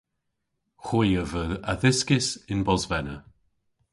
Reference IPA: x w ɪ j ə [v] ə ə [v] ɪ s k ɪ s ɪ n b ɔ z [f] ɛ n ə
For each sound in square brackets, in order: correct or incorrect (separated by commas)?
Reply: correct, incorrect, incorrect